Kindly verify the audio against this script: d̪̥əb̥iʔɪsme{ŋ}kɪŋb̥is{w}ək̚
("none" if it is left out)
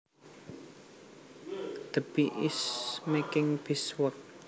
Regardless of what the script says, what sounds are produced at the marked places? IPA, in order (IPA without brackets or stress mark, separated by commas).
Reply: none, w